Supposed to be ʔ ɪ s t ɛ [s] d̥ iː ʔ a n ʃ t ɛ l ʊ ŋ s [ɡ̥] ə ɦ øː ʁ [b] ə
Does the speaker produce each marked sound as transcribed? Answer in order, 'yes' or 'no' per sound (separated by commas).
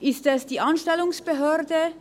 yes, no, no